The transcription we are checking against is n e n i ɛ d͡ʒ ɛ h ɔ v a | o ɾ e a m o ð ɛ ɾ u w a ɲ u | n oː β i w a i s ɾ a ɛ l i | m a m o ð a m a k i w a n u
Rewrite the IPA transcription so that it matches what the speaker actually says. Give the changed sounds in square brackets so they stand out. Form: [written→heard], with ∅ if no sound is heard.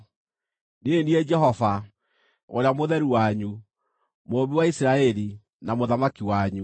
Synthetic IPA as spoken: n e n i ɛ d͡ʒ ɛ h ɔ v a | o ɾ e a m o ð ɛ ɾ u w a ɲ u | [n→m] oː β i w a i s ɾ a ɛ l i | [m→n] a m o ð a m a k i w a [n→ɲ] u

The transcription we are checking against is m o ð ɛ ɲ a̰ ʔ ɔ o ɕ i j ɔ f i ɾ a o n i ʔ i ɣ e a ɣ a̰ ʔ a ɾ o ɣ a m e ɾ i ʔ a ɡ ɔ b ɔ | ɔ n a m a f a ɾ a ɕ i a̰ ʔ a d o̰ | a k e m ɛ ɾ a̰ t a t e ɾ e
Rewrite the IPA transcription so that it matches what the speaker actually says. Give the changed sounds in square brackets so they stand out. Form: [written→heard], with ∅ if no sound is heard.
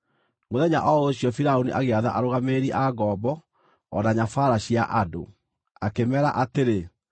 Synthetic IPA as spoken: m o ð ɛ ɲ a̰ ʔ ɔ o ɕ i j ɔ f i ɾ a o n i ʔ [i→a] ɣ e a [ɣ→ð] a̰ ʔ a ɾ o ɣ a m e ɾ i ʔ a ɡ ɔ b ɔ | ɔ n a [m→ɲ] a f a ɾ a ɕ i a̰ ʔ a d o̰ | a k e m ɛ ɾ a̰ [t→ʔ] a t e ɾ e

